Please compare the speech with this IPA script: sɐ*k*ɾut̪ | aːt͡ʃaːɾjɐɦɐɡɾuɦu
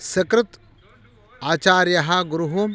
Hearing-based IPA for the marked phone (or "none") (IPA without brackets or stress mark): k